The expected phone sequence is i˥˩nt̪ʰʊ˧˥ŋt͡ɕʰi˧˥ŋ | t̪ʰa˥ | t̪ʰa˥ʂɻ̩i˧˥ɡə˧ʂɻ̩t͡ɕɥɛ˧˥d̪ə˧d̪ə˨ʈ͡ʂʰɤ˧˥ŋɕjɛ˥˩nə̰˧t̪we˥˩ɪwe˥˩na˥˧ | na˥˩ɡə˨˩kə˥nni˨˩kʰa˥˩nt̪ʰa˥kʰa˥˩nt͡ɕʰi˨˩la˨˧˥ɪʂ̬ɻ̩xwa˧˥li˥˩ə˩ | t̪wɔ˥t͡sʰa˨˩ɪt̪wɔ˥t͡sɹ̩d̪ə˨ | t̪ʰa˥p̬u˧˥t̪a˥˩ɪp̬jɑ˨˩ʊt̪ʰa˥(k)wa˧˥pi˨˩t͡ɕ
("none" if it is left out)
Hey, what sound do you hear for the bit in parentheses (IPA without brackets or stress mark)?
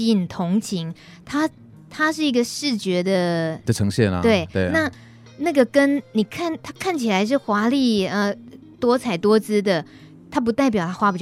x